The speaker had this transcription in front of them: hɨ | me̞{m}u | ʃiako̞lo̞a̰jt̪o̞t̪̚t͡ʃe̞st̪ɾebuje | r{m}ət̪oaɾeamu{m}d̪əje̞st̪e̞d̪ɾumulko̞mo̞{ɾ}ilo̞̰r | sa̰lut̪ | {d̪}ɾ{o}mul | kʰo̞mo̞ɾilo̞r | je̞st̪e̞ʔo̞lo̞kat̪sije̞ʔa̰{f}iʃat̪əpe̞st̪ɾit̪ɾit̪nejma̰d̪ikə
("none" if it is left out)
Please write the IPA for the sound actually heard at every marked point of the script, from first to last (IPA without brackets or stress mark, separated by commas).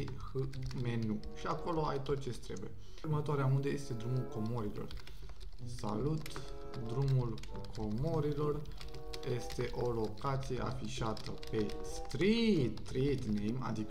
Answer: n, m, n, ɾ, d̪, u, f